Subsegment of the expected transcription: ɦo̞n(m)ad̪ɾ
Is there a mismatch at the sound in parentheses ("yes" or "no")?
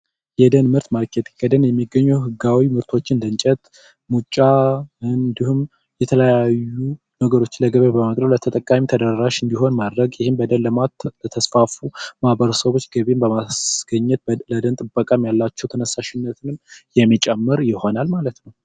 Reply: no